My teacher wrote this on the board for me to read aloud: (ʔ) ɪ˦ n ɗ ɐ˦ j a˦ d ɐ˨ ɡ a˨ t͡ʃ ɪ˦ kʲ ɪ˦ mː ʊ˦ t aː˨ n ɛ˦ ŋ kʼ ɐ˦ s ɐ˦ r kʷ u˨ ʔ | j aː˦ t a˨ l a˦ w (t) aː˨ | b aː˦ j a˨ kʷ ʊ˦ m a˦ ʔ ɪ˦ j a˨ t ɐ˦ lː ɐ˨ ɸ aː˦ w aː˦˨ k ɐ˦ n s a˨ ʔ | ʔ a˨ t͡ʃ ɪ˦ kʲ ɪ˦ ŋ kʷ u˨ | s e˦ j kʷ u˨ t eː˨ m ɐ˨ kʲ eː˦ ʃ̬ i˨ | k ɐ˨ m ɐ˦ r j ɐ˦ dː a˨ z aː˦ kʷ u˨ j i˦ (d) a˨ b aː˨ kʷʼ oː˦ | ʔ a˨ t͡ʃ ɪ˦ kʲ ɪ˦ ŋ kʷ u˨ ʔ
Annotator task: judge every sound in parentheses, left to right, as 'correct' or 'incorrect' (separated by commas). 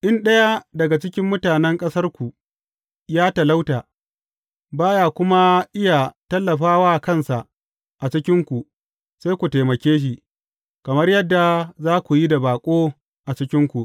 correct, correct, correct